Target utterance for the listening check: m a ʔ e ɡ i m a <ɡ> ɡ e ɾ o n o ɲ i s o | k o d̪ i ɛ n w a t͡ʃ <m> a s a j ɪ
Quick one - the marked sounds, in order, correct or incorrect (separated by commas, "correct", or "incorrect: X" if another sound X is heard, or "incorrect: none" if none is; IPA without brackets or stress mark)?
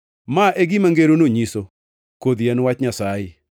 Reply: incorrect: ŋ, incorrect: ɲ